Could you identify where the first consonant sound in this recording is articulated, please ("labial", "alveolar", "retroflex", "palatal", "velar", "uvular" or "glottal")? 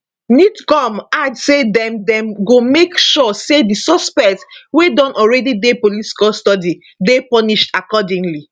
alveolar